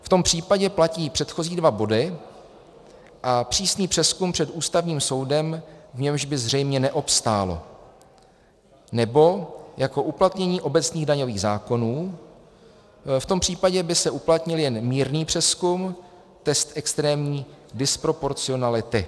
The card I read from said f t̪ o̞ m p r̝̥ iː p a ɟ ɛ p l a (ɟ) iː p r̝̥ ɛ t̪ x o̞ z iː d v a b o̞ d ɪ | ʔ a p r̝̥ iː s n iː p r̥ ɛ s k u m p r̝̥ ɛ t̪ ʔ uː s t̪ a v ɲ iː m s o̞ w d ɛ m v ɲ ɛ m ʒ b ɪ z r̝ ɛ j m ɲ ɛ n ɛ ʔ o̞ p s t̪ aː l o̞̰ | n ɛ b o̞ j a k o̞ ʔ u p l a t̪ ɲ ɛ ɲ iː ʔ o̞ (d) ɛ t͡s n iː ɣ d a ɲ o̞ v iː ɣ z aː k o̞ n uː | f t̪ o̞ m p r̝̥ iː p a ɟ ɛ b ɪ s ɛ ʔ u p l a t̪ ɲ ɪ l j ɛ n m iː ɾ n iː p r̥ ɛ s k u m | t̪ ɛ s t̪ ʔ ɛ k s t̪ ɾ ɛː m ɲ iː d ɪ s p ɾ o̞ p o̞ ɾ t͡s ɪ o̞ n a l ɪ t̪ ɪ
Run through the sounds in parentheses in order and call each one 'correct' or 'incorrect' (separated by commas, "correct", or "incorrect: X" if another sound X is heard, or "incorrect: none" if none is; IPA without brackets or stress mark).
incorrect: c, incorrect: b